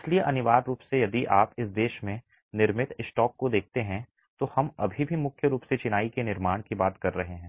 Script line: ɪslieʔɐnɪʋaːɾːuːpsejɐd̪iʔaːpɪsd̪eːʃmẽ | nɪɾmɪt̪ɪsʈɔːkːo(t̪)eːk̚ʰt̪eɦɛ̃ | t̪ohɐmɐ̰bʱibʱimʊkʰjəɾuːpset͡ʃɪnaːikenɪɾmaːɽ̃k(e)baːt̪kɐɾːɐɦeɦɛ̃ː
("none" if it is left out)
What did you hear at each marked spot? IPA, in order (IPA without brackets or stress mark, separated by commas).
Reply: d̪, i